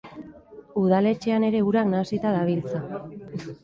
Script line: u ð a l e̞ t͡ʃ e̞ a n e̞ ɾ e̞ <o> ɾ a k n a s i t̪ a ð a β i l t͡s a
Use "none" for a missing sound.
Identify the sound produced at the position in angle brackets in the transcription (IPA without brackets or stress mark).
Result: u